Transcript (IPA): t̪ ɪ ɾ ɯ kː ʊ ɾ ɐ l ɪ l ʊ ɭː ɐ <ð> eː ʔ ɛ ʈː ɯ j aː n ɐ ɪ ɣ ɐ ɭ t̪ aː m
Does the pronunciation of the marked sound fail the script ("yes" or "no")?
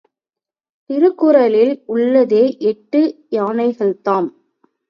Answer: no